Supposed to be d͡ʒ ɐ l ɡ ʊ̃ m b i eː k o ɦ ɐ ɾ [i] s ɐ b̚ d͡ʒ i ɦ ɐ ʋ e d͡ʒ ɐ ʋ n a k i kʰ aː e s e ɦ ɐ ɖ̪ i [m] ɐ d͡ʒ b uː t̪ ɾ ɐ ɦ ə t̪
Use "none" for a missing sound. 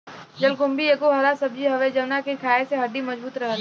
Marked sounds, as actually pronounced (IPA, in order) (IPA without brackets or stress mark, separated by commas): a, m